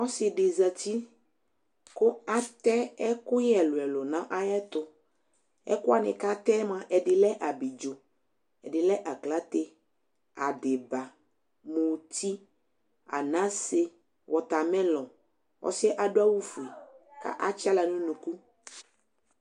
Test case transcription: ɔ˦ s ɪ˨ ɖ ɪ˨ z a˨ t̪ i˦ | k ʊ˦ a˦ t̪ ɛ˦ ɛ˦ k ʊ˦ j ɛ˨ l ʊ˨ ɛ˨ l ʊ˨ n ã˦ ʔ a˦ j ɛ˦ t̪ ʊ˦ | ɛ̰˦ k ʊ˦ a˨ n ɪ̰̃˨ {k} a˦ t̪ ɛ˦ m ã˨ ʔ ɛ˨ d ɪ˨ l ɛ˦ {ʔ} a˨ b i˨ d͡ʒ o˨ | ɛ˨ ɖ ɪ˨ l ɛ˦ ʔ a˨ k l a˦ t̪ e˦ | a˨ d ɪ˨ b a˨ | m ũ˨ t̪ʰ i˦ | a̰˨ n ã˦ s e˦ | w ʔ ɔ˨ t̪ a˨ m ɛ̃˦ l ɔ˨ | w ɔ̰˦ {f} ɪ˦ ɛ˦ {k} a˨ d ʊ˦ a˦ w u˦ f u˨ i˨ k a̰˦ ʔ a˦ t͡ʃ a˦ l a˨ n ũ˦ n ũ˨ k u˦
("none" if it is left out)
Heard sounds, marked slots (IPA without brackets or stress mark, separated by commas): k, ʔ, s, ʔ